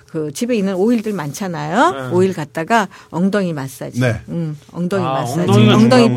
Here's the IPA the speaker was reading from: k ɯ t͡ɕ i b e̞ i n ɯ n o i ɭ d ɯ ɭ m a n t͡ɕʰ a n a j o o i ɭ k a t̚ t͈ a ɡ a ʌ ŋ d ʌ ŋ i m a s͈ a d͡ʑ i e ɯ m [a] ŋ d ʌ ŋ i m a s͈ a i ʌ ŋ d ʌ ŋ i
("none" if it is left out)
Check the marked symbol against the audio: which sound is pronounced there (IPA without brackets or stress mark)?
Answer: ʌ